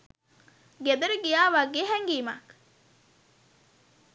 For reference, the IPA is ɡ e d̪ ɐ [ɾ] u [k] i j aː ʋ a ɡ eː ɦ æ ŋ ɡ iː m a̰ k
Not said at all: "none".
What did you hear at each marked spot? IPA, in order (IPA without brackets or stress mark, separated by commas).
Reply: ɾ, ɡ